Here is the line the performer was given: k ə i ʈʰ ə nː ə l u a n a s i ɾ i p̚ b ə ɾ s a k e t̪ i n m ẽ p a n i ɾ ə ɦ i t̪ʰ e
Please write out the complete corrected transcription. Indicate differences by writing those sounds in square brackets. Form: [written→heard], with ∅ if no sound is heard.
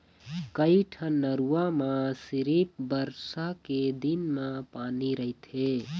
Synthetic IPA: k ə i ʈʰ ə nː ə [l→ɾ] u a [n→m] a s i ɾ i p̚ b ə ɾ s a k e [t̪→d̪] i n m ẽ p a n i ɾ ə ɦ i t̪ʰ e